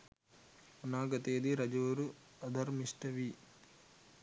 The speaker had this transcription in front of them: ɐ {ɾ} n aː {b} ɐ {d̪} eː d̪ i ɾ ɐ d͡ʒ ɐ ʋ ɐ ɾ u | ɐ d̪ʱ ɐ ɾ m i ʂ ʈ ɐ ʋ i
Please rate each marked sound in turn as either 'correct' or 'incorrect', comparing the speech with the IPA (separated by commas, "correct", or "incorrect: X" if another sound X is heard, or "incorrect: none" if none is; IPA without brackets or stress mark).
incorrect: none, incorrect: ɡ, incorrect: t̪